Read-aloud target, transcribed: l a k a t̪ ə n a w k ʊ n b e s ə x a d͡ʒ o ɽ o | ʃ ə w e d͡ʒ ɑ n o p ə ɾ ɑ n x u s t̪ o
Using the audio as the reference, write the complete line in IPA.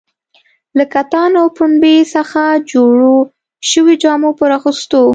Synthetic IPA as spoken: l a k a t̪ ɑ n a w p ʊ n b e s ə x a d͡ʒ o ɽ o | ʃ ə w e d͡ʒ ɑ m o p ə ɾ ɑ x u s t̪ o